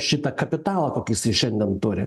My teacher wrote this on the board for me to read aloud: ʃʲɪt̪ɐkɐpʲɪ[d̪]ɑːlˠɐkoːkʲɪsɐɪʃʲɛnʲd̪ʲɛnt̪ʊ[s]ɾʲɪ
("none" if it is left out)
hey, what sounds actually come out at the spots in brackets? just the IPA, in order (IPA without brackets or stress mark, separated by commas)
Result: t̪, none